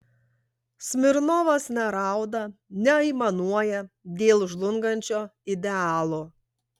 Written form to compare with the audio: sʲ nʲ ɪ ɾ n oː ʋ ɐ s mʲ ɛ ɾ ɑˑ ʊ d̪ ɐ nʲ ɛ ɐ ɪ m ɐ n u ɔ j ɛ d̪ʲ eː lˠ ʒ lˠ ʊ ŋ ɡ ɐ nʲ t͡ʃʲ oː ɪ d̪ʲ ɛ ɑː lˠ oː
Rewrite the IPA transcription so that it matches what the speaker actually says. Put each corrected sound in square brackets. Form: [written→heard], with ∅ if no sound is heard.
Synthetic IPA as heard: sʲ [nʲ→mʲ] ɪ ɾ n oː ʋ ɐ s [mʲ→nʲ] ɛ ɾ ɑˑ ʊ d̪ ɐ nʲ ɛ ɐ ɪ m ɐ n u ɔ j ɛ d̪ʲ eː lˠ ʒ lˠ ʊ ŋ ɡ ɐ nʲ t͡ʃʲ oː ɪ d̪ʲ ɛ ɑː lˠ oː